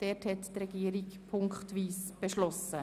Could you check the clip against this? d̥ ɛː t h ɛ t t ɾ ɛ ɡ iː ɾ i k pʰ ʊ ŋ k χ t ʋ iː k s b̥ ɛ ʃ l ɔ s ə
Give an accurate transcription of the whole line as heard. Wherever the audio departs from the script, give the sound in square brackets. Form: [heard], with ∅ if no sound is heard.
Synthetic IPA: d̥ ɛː t h ɛ t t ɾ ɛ ɡ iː ɾ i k pʰ ʊ ŋ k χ t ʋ iː [∅] s b̥ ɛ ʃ l ɔ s ə